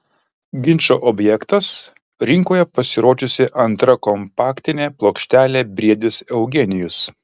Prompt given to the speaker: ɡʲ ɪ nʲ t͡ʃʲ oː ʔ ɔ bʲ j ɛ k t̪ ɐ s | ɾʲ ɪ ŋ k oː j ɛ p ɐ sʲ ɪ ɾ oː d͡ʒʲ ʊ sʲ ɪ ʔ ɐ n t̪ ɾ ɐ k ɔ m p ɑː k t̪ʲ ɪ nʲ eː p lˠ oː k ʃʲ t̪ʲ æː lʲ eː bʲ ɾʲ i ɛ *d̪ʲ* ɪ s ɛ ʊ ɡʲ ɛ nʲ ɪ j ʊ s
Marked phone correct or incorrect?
correct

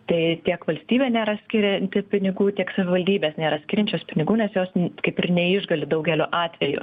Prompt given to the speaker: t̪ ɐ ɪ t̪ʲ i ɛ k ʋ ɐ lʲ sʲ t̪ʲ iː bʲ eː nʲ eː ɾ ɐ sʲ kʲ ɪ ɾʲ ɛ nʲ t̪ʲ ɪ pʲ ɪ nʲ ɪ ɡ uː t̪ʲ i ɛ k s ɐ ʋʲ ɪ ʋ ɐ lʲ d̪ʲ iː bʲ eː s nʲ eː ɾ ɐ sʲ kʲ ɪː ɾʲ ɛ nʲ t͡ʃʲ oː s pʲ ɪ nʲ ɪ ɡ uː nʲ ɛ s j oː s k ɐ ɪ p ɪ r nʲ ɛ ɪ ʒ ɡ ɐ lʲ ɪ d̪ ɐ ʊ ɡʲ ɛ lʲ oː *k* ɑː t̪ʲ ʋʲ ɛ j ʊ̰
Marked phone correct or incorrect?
incorrect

